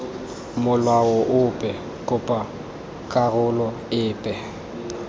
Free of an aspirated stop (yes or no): yes